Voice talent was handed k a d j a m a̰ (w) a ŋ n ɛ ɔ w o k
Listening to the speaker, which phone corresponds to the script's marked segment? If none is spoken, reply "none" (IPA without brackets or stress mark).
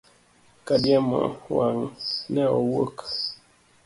w